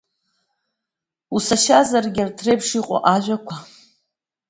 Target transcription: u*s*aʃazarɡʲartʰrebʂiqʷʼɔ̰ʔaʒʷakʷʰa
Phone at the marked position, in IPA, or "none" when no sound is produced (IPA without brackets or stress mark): s